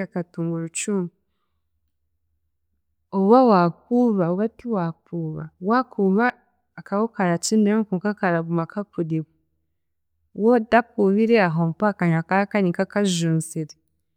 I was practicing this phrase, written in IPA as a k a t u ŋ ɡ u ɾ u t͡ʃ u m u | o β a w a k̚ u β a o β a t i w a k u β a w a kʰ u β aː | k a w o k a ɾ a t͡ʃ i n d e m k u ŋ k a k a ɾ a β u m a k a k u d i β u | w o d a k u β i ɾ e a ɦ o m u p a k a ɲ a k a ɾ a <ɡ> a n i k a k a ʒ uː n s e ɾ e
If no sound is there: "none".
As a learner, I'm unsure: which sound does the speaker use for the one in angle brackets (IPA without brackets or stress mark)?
k